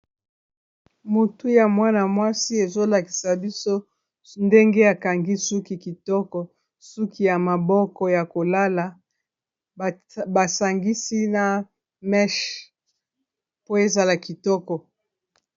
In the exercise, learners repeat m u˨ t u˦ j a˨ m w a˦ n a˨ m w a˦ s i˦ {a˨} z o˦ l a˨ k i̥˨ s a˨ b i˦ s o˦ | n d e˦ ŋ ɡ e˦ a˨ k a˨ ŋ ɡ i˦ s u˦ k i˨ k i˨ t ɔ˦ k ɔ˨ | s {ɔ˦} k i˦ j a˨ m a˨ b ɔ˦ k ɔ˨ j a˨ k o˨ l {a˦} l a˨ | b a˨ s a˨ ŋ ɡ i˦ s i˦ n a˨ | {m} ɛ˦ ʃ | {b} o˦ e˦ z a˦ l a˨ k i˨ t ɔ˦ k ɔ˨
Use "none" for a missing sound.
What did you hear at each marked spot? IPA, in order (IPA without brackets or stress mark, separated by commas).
e˨, u˦, a˦, m, p